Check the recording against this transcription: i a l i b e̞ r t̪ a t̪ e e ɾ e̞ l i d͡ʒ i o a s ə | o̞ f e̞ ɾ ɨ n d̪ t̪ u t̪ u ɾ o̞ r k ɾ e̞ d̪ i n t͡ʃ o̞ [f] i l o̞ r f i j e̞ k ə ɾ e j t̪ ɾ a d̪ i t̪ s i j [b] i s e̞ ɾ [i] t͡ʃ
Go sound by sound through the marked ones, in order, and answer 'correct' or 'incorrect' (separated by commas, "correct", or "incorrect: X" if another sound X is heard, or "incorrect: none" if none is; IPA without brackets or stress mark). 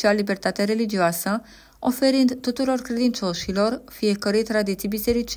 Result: incorrect: ʃ, correct, correct